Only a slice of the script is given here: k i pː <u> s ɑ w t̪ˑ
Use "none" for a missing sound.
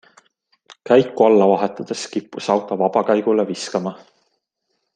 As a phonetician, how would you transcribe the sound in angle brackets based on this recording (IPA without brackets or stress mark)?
u